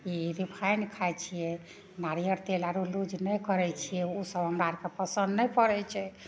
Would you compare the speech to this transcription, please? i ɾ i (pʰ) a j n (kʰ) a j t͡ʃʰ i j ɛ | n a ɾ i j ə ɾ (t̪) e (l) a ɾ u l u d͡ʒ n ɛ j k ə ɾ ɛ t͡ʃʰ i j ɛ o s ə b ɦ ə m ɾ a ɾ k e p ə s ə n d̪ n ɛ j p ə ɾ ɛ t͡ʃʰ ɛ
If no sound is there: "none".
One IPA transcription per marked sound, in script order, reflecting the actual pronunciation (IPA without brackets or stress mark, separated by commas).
pʰ, kʰ, t̪, l